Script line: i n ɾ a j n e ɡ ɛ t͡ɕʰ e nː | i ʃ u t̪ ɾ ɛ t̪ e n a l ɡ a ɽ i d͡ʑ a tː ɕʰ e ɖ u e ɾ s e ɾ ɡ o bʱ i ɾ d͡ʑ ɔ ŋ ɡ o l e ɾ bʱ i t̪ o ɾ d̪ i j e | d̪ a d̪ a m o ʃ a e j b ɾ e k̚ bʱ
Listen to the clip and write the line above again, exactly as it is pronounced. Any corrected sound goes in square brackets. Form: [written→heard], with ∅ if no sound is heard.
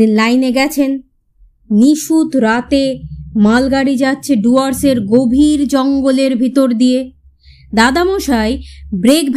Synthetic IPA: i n [ɾ→l] a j n e ɡ ɛ t͡ɕʰ e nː | i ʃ u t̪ ɾ [ɛ→a] t̪ e [n→m] a l ɡ a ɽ i d͡ʑ a tː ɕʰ e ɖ u [e→a] ɾ s e ɾ ɡ o bʱ i ɾ d͡ʑ ɔ ŋ ɡ o l e ɾ bʱ i t̪ o ɾ d̪ i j e | d̪ a d̪ a m o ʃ a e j b ɾ e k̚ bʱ